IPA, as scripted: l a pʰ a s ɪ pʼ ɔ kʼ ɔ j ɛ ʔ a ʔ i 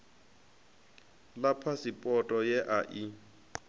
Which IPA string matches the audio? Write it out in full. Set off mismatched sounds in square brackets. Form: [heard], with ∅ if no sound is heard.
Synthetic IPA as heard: l a pʰ a s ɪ pʼ ɔ [tʼ] ɔ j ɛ ʔ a ʔ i